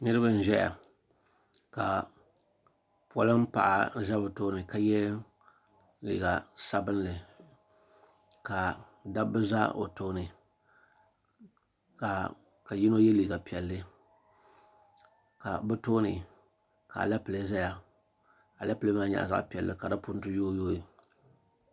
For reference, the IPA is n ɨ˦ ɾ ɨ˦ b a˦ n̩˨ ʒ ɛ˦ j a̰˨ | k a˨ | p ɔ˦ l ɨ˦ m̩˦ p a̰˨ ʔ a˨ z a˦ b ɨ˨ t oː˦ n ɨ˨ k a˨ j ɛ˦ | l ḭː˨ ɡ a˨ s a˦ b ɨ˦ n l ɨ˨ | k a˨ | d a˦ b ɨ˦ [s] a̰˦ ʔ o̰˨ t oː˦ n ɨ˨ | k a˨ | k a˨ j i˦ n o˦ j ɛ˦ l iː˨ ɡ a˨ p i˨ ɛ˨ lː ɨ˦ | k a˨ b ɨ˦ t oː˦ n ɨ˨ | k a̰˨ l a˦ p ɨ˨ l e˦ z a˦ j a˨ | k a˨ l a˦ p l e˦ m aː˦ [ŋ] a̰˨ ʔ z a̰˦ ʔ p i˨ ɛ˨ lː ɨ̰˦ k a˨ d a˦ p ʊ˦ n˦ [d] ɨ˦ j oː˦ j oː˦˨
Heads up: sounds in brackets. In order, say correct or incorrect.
incorrect: z, incorrect: ɲ, incorrect: t

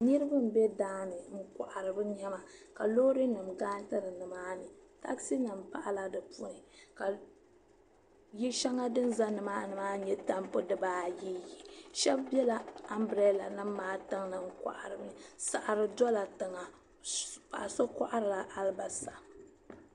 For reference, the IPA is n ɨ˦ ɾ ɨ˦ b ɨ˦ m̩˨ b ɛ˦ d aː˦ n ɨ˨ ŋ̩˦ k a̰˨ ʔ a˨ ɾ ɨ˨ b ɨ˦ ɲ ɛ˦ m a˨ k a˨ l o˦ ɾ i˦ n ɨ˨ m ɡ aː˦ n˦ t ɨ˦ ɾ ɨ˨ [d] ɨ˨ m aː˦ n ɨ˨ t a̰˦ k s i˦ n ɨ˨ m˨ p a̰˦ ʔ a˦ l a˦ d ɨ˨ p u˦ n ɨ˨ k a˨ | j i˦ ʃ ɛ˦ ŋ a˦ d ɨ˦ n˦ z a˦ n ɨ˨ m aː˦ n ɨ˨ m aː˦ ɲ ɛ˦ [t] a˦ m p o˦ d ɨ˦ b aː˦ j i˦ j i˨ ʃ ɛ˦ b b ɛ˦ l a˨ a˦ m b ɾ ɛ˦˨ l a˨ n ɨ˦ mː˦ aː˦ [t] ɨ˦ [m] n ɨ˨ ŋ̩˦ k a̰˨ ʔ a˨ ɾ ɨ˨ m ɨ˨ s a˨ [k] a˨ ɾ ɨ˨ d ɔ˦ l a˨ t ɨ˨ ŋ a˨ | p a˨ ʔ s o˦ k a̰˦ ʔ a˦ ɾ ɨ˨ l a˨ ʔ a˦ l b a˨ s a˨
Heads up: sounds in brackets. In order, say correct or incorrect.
incorrect: n, correct, correct, incorrect: ŋ, incorrect: ʔ

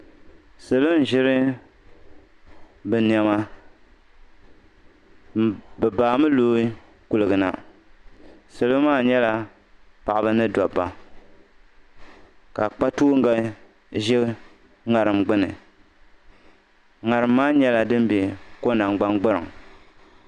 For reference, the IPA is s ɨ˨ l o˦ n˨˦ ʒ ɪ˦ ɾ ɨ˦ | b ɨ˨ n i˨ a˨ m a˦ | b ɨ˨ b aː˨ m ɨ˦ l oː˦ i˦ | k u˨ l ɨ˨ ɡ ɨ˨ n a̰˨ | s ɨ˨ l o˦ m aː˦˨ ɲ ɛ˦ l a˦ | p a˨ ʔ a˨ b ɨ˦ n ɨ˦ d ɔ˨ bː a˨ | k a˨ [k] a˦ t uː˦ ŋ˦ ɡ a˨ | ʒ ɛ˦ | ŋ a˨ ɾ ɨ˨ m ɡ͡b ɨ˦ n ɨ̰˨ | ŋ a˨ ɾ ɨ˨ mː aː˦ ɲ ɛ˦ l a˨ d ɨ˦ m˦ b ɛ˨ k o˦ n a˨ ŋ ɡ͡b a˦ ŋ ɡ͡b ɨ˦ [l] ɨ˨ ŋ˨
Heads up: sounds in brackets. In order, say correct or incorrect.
incorrect: k͡p, incorrect: ɾ

